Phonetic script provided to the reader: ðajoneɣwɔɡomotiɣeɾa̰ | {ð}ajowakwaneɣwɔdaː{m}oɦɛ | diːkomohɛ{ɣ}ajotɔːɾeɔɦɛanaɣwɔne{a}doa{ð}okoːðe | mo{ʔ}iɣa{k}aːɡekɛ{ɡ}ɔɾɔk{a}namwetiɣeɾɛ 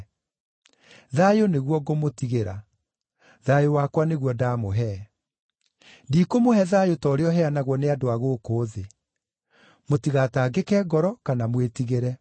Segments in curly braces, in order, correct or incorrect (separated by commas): correct, correct, incorrect, correct, incorrect, incorrect, incorrect, correct, correct